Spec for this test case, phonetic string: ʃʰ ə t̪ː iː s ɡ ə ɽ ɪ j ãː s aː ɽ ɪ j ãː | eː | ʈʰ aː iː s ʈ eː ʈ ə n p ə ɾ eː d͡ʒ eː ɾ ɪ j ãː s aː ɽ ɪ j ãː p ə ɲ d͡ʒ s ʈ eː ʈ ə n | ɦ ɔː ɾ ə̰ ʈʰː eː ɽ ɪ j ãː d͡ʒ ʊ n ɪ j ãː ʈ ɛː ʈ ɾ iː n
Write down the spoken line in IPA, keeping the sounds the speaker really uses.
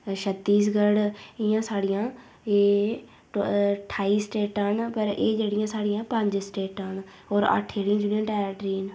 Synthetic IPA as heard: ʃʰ ə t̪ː iː s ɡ ə ɽ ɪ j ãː s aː ɽ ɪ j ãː | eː | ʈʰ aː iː s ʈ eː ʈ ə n p ə ɾ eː d͡ʒ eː ɽ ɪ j ãː s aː ɽ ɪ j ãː p ə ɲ d͡ʒ s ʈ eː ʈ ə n | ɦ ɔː ɾ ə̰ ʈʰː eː ɽ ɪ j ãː d͡ʒ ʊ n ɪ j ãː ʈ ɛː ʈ ɾ iː n